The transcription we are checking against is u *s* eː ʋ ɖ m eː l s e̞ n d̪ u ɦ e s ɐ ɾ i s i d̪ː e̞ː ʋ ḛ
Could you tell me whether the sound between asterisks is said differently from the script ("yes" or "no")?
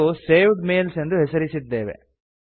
no